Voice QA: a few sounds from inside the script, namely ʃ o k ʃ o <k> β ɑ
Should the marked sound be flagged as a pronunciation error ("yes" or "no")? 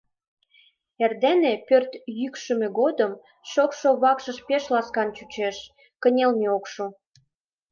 yes